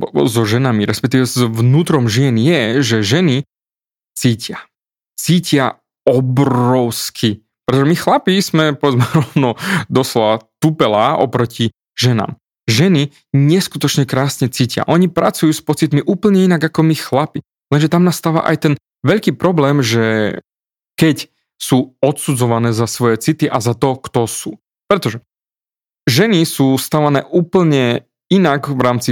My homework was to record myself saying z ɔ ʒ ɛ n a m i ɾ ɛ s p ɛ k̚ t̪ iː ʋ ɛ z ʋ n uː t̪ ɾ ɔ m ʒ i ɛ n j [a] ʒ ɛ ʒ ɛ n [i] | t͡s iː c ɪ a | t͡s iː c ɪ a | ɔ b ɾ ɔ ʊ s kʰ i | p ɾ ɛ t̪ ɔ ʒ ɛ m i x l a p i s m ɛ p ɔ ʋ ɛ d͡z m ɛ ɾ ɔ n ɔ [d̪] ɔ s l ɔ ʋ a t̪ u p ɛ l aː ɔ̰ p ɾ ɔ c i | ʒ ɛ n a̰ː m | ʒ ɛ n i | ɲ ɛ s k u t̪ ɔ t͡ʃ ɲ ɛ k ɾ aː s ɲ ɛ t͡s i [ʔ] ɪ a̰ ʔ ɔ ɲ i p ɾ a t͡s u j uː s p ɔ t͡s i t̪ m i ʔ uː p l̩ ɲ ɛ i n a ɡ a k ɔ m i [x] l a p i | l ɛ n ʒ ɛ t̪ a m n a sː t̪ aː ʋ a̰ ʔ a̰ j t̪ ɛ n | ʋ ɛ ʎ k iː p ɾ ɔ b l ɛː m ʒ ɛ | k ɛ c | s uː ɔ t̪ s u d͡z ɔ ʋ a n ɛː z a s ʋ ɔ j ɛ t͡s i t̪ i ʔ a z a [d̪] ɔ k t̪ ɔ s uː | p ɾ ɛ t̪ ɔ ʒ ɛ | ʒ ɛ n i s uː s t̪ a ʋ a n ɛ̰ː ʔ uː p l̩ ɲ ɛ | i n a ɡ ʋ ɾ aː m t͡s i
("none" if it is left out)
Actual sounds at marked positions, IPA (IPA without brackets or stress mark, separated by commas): ɛ, i, d̪, c, x, t̪